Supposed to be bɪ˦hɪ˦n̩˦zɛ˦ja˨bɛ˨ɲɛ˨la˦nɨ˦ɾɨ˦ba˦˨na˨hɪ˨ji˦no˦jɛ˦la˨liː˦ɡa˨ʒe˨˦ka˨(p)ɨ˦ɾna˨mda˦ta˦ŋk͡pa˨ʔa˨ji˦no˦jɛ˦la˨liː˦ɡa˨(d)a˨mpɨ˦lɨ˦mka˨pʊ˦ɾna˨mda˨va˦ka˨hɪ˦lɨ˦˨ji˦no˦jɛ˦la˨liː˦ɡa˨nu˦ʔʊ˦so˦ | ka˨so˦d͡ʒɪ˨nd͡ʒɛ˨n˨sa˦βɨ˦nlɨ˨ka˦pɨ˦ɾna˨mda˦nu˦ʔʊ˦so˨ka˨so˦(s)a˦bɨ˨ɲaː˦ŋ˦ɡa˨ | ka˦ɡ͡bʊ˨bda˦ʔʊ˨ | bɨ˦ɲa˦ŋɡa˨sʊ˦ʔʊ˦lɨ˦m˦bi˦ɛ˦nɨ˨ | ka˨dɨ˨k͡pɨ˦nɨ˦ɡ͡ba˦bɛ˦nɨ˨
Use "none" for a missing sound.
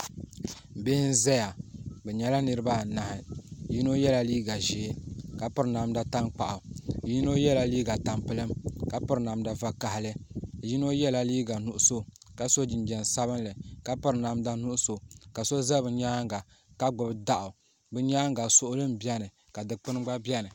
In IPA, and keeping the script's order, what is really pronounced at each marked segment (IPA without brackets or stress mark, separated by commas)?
p, t, z